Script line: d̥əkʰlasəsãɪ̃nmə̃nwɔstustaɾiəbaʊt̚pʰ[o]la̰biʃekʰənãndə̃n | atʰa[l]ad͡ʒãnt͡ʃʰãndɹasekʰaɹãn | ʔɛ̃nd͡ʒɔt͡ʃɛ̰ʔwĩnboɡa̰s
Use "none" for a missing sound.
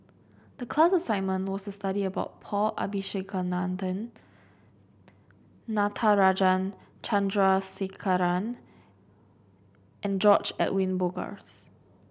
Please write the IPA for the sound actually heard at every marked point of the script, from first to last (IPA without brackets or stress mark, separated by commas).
ɔ, ɹ